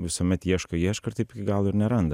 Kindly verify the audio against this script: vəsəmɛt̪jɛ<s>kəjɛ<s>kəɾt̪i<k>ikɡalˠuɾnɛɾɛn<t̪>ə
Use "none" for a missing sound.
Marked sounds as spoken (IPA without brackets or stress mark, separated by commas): ʃ, ʃ, p, d̪